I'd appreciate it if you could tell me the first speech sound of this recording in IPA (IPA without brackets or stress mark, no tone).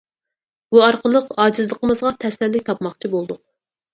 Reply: b